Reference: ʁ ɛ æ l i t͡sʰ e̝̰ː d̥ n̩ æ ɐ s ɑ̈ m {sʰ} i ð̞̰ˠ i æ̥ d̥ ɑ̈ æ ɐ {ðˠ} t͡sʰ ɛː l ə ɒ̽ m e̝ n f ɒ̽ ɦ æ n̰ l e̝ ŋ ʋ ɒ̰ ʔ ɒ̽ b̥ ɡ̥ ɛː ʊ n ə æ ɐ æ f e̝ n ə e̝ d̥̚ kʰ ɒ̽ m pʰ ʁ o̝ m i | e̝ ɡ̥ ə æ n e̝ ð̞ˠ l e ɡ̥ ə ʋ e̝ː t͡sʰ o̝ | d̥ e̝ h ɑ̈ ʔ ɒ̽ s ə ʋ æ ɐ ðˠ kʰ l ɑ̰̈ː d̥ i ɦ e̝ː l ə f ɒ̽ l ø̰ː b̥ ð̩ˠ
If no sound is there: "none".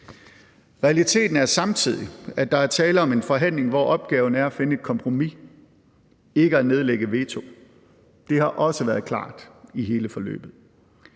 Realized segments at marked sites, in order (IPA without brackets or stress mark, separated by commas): t͡sʰ, none